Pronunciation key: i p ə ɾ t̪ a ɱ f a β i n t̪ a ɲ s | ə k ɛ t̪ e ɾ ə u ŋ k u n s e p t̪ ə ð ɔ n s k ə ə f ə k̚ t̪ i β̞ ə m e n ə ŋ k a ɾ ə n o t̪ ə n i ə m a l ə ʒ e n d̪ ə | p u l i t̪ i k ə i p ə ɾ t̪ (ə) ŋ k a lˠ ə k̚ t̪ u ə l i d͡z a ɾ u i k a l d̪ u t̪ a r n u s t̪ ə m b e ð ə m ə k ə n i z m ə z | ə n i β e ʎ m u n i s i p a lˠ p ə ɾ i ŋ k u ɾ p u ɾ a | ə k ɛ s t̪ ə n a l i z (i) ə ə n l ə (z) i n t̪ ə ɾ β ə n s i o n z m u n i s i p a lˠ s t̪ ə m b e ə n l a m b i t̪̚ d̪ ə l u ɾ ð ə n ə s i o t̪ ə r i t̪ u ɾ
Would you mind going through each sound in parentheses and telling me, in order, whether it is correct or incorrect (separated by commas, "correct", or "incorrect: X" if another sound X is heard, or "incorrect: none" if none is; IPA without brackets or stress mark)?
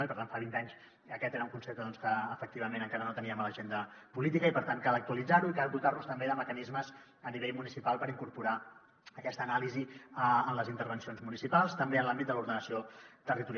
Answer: incorrect: a, correct, correct